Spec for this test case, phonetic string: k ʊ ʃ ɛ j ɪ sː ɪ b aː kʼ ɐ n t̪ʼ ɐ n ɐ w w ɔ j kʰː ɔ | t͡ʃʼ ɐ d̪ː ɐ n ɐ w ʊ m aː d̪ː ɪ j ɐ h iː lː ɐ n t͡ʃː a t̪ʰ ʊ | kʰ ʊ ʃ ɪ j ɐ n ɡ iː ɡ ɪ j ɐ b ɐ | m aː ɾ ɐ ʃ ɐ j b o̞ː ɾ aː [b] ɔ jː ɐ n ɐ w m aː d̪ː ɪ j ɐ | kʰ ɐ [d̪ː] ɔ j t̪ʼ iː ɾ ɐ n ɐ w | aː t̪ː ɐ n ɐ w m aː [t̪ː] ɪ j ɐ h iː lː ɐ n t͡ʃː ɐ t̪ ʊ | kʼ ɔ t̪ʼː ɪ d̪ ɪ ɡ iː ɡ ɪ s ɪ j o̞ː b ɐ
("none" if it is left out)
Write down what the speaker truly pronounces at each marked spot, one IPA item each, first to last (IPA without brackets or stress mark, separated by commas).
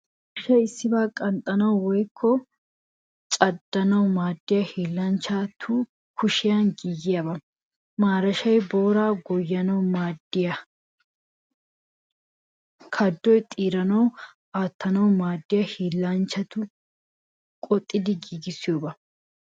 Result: ɡ, d̪ː, d̪ː